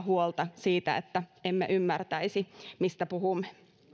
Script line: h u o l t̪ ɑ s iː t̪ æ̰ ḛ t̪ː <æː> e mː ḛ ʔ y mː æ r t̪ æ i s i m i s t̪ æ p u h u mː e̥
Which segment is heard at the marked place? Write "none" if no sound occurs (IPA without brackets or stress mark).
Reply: æ